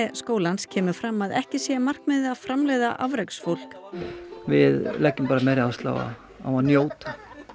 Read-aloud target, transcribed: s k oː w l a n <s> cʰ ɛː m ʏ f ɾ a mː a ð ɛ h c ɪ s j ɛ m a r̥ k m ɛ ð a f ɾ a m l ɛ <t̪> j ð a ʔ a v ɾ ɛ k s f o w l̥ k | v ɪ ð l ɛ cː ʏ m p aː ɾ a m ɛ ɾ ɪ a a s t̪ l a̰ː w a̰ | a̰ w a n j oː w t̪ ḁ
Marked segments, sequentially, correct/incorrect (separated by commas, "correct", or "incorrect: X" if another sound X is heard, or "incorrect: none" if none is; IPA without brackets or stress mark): correct, incorrect: none